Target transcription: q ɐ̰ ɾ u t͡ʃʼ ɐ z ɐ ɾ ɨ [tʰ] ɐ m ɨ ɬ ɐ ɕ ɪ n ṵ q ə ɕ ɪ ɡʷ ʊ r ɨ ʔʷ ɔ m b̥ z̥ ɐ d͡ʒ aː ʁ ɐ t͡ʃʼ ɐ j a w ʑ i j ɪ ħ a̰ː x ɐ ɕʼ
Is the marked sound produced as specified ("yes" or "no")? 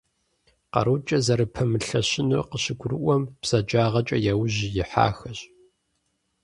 no